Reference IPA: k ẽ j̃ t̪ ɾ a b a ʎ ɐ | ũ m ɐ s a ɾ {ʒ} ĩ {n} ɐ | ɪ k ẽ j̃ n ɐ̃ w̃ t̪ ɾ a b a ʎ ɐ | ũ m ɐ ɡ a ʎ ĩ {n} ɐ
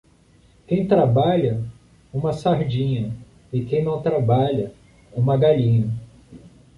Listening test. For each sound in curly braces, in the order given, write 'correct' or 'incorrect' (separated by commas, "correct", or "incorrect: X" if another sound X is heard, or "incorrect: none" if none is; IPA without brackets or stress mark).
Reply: incorrect: d͡ʒ, incorrect: ɲ, incorrect: ɲ